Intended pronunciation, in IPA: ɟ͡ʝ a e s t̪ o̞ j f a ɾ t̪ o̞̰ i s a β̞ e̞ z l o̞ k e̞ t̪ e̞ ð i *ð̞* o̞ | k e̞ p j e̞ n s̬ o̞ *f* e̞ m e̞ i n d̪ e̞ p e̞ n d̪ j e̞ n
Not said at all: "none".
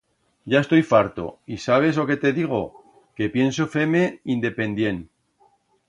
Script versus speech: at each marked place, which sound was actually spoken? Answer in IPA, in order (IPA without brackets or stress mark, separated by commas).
ɣ̞, f